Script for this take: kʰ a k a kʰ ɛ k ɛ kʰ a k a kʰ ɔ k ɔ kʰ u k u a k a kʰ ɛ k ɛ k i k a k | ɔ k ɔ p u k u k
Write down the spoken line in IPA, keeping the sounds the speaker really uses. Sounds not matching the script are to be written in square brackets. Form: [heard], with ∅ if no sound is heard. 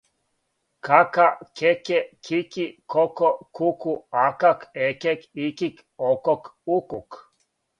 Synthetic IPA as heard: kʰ a k a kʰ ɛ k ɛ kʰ [i] k [i] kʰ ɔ k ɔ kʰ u k u a k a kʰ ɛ k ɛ k i k [i] k | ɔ k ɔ [k] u k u k